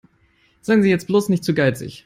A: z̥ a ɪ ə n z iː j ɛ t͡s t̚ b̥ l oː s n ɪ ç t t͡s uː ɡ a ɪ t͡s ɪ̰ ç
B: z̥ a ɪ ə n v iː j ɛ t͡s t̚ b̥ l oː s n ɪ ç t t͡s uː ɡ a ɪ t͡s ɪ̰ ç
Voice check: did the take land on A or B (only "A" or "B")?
A